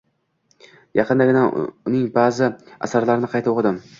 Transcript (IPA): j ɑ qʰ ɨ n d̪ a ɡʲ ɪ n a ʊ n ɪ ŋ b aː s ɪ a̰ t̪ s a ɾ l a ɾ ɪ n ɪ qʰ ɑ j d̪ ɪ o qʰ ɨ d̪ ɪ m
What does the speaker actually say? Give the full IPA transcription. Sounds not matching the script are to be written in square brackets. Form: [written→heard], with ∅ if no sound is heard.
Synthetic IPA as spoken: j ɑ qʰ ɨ n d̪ a ɡʲ ɪ n a ʊ n ɪ ŋ b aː [s→z] ɪ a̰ [t̪→∅] s a ɾ l a ɾ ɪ n ɪ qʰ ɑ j [d̪→t̪] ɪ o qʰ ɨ d̪ ɪ m